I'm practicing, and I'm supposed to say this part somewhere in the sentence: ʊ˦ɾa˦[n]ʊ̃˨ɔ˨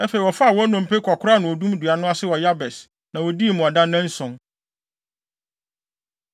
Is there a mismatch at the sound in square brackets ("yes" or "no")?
no